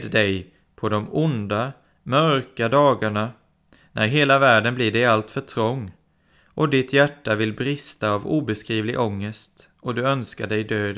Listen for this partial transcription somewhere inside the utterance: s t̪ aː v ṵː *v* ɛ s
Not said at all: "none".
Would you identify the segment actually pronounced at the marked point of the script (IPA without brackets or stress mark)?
b